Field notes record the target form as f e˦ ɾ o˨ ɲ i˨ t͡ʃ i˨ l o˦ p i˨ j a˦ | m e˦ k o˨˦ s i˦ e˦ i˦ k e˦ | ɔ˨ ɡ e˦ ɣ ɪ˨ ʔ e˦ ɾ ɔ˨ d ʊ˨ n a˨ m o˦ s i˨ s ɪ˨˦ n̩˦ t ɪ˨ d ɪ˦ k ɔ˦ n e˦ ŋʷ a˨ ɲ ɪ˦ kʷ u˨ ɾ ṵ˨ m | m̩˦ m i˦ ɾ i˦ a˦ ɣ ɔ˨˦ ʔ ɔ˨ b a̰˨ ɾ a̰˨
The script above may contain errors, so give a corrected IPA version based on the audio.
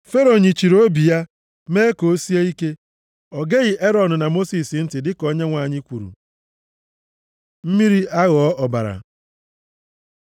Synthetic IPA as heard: f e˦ ɾ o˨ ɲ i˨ t͡ʃ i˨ ɾ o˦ b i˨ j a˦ | m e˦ k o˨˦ s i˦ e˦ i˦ k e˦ | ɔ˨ ɡ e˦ ɣ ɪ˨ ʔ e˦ ɾ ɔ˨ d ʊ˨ n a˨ m o˦ s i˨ s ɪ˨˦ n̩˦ t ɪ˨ d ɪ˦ k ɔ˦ ɲ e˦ ŋʷ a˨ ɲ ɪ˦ kʷ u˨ ɾ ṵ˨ | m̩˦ m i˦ ɾ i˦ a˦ ɣ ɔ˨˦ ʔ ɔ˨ b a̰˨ ɾ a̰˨

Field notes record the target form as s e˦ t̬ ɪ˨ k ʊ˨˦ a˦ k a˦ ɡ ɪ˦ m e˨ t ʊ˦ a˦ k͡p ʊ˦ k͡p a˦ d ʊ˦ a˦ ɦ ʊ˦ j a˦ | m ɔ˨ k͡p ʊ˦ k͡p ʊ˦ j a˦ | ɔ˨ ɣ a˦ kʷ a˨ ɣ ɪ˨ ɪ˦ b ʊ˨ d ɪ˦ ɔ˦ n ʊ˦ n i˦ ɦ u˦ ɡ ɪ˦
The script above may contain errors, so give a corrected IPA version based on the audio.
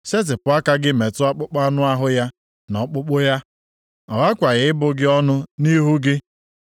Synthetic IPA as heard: s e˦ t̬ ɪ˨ p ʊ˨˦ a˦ k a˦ ɡ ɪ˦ m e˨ t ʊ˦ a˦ k͡p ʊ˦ k͡p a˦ n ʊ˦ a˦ ɦ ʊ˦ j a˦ | n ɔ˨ k͡p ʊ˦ k͡p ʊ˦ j a˦ | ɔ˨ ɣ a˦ kʷ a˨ ɣ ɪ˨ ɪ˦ b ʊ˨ ɡ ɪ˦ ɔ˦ n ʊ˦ n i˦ ɦ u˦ ɡ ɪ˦

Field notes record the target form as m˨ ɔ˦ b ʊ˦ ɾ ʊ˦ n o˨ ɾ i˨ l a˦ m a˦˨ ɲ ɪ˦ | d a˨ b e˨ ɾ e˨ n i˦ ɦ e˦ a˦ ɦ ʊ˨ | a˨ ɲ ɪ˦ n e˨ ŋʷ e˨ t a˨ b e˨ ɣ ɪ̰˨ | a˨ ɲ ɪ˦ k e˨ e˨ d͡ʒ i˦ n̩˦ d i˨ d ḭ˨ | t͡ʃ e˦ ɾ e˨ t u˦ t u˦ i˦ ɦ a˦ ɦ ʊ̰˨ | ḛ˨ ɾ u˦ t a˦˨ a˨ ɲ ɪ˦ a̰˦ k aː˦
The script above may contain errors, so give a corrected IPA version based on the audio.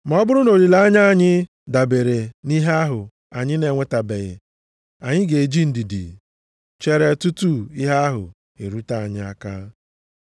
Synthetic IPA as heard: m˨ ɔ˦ b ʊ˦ ɾ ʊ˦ n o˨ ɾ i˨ l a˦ ɲ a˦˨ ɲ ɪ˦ | d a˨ b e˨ ɾ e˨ n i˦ ɦ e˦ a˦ ɦ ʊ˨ | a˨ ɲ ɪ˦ n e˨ ŋʷ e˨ t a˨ b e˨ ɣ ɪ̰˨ | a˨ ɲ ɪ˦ ɡ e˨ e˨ d͡ʒ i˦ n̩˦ d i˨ d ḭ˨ | t͡ʃ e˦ ɾ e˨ t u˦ t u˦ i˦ ɦ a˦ ɦ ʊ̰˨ | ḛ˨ ɾ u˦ t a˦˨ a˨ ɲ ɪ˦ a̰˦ k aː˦

